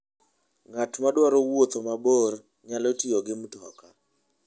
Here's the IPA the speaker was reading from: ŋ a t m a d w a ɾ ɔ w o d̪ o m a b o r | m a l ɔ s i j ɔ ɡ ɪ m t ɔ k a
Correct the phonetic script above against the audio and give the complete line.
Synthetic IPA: ŋ a t m a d w a ɾ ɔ w o t̪ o m a b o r | ɲ a l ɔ t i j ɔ ɡ ɪ m t ɔ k a